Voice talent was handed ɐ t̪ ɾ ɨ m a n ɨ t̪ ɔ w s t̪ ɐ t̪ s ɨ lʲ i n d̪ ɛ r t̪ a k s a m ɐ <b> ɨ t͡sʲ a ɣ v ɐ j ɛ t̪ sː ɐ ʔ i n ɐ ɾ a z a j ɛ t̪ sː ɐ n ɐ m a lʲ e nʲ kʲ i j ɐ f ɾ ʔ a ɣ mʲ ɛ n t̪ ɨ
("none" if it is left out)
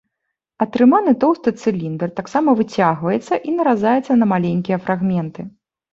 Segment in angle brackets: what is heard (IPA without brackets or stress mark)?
v